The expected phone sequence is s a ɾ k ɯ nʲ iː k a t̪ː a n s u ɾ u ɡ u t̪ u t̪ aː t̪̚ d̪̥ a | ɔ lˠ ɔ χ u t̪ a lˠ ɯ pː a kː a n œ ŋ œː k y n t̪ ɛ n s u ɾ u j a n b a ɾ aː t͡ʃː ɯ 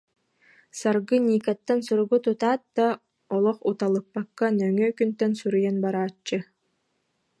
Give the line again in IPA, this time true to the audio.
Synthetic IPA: s a ɾ ɡ ɯ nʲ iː k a t̪ː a n s u ɾ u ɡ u t̪ u t̪ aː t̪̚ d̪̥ a | ɔ lˠ ɔ χ u t̪ a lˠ ɯ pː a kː a n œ ŋ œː k y n t̪ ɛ n s u ɾ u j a n b a ɾ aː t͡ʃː ɯ